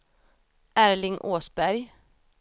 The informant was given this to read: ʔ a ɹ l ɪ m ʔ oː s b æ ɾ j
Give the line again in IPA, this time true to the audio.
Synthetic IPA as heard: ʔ æ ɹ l ɪ ŋ ʔ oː s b æ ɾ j